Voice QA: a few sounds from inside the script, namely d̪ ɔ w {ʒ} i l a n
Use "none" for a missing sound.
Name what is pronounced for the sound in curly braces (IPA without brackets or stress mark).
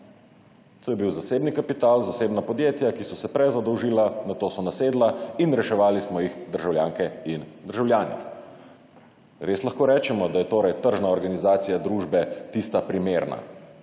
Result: ʒ